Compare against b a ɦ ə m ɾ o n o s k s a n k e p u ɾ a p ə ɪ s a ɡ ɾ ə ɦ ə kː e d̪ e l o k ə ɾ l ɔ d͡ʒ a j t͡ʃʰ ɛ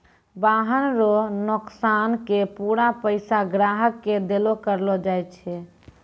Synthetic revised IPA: b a ɦ ə n ɾ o n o k s a n k e p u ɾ a p ə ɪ s a ɡ ɾ a ɦ ə kː e d̪ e l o k ə ɾ l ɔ d͡ʒ a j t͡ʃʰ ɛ